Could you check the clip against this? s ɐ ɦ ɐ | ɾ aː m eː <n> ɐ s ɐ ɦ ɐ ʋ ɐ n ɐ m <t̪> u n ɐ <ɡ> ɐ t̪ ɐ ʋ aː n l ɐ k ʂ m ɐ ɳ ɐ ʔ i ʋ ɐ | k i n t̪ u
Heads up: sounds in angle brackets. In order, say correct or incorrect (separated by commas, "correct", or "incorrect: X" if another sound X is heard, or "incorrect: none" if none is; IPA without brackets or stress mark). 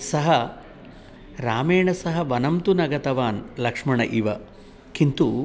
incorrect: ɳ, correct, correct